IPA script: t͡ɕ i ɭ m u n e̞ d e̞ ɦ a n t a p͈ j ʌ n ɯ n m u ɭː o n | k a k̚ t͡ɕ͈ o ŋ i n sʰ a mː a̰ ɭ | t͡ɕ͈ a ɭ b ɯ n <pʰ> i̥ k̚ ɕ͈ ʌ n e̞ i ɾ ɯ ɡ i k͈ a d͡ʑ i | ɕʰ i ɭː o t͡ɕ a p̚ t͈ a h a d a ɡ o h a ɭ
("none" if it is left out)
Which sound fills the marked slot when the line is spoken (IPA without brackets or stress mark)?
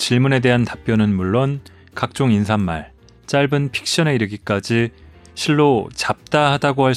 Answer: pʰ